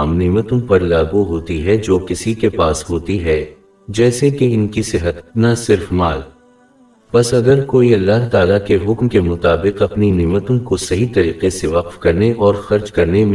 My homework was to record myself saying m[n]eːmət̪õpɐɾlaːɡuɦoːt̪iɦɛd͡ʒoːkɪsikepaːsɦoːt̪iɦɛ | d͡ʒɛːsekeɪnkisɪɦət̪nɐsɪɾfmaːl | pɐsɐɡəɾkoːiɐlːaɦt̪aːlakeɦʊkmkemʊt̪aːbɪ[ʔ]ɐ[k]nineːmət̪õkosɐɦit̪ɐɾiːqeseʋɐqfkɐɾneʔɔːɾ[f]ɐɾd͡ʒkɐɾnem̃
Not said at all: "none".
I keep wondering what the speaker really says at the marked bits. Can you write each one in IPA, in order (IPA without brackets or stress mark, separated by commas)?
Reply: n, q, p, x